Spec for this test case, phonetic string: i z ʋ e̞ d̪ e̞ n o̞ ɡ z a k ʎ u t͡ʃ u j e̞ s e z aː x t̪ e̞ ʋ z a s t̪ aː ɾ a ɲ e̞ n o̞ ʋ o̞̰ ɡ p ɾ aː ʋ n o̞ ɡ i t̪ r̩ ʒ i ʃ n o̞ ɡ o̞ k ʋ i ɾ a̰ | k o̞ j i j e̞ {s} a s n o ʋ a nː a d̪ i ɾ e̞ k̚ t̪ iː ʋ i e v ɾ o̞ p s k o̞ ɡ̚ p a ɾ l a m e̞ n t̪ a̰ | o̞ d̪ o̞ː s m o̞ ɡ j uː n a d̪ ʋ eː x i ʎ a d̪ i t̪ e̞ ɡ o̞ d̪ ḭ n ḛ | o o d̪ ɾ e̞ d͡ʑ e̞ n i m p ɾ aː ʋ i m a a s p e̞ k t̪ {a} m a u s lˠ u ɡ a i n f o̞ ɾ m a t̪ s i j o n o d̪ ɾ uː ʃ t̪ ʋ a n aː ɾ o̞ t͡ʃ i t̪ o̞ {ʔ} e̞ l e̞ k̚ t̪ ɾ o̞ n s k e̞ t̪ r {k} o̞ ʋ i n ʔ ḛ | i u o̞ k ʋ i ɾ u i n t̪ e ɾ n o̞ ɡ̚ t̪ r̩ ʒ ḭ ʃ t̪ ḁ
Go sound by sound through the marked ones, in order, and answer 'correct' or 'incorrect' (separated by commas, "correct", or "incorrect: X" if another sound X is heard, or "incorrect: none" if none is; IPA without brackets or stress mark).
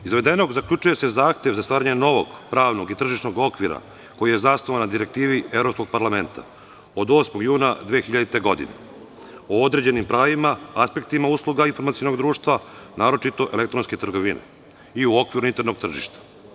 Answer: incorrect: z, incorrect: i, correct, incorrect: ɡ